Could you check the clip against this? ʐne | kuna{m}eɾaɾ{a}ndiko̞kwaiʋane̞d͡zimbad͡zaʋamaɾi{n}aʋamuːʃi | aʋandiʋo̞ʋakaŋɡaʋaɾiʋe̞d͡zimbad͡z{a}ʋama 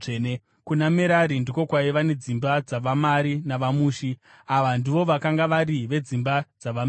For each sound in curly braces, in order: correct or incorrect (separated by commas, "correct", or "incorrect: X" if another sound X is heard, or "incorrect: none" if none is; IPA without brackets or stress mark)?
correct, incorrect: i, correct, correct